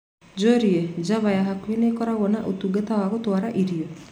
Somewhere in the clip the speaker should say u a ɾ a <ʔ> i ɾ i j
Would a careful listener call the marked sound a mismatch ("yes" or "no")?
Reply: no